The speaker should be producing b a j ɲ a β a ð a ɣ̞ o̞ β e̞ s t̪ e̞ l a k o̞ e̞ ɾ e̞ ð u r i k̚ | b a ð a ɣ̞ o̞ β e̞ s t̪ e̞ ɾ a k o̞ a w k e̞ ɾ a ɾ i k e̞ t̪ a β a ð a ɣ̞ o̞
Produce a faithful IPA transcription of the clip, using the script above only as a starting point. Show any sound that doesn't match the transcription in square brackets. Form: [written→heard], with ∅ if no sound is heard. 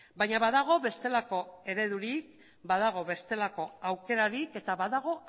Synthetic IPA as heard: b a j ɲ a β a ð a ɣ̞ o̞ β e̞ s t̪ e̞ l a k o̞ e̞ ɾ e̞ ð u [r→ɾ] i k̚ | b a ð a ɣ̞ o̞ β e̞ s t̪ e̞ [ɾ→l] a k o̞ a w k e̞ ɾ a ɾ i k e̞ t̪ a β a ð a ɣ̞ o̞